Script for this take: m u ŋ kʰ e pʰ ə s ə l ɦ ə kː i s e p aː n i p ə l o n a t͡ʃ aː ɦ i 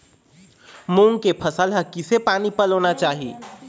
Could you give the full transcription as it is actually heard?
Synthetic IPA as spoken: m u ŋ k e pʰ ə s ə l ɦ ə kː i s e p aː n i p ə l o n a t͡ʃ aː ɦ i